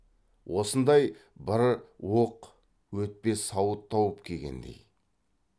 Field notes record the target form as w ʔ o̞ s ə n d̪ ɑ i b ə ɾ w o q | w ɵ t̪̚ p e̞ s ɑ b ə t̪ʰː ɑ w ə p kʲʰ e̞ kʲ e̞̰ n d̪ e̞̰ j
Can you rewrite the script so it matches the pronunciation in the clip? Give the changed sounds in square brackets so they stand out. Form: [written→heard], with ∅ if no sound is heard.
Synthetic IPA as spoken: w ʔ o̞ s ə n d̪ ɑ [i→j] b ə ɾ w o q | w ɵ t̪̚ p e̞ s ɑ [b→w] ə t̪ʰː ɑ w ə p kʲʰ e̞ [kʲ→ɡʲ] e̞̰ n d̪ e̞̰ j